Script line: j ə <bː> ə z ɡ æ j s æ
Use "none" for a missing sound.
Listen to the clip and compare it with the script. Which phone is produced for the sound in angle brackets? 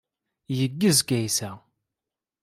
ɡː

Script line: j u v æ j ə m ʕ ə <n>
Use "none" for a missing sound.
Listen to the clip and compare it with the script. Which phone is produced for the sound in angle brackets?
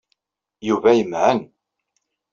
n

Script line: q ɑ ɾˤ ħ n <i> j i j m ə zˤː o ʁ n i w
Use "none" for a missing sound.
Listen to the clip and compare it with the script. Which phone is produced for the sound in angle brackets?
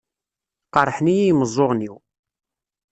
i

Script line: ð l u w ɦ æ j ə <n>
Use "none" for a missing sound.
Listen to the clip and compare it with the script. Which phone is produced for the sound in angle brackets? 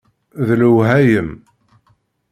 m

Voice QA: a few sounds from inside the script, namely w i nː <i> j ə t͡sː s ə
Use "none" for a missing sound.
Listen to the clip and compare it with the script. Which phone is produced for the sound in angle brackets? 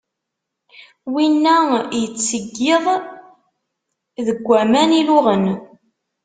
æ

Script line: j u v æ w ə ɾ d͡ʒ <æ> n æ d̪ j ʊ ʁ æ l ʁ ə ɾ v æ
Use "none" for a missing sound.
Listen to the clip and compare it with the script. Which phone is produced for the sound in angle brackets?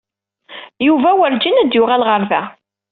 i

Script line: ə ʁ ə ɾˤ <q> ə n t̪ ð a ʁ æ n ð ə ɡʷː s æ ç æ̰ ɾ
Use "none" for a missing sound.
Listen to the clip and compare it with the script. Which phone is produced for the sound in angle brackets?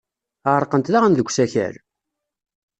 q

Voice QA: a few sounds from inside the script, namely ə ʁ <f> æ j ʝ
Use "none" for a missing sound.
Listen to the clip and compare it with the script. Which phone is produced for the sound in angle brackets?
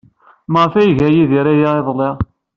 f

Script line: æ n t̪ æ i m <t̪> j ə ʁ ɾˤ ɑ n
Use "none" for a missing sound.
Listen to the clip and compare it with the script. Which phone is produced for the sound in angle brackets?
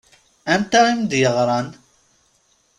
d̪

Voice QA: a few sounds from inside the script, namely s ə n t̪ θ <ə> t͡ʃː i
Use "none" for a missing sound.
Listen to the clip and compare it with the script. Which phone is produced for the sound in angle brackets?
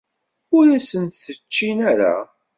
ə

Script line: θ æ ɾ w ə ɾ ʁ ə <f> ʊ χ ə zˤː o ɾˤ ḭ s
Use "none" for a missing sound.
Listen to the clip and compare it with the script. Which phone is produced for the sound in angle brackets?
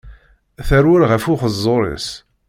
f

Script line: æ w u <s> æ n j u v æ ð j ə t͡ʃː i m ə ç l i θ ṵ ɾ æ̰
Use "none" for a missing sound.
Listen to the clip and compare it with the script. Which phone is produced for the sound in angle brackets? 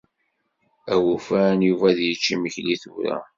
f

